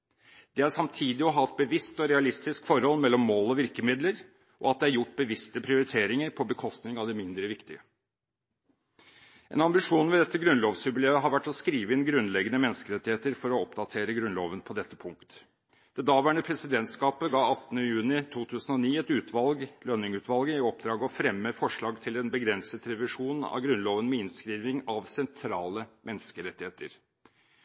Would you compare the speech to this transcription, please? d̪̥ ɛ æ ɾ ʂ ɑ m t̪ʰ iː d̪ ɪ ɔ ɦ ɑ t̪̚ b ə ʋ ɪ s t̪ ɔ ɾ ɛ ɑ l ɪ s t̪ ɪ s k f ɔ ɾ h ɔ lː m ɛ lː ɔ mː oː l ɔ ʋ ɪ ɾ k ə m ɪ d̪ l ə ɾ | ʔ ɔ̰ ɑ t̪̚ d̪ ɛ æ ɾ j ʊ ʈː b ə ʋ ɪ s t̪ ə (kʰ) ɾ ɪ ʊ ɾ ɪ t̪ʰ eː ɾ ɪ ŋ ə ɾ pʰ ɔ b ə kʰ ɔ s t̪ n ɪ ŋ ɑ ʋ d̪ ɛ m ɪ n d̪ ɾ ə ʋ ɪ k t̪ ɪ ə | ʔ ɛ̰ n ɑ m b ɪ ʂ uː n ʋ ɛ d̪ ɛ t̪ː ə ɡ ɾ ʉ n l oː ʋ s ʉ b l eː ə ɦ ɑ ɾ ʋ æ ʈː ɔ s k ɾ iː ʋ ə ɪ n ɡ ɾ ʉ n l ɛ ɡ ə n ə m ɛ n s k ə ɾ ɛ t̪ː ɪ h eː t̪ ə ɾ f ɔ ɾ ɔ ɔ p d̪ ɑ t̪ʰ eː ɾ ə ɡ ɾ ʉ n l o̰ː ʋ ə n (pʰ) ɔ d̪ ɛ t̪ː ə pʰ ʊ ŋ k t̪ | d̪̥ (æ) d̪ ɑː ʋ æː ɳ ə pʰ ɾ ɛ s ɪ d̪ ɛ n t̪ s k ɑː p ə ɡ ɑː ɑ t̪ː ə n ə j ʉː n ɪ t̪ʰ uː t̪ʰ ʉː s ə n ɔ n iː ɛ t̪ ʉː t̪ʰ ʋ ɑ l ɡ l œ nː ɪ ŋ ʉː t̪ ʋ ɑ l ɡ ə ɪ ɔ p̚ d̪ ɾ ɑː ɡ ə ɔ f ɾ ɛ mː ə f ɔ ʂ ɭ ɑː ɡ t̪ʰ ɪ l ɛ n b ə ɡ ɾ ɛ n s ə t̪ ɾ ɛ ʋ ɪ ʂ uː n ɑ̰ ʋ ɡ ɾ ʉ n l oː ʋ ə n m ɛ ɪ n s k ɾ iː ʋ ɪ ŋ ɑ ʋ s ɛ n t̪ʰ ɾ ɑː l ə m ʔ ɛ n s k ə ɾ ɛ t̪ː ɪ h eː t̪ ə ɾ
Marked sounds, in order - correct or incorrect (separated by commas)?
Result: incorrect, correct, incorrect